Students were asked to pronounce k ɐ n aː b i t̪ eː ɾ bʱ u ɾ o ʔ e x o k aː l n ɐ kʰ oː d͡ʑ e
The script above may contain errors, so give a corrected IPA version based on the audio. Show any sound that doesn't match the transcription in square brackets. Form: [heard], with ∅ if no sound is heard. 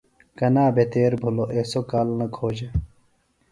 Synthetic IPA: k ɐ n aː b [e] t̪ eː ɾ bʱ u [l] o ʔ e [s] o k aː l n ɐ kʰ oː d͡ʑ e